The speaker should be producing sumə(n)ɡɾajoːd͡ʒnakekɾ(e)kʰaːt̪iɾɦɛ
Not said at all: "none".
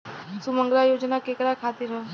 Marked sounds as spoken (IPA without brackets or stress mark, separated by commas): ŋ, a